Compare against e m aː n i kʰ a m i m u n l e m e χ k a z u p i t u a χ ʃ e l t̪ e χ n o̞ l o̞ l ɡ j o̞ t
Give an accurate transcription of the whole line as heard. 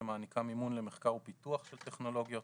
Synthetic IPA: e m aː n i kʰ a m i m u n l e m e χ k a ʁ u p i t u a χ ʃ e l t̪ e χ n o̞ l o̞ ɡ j o̞ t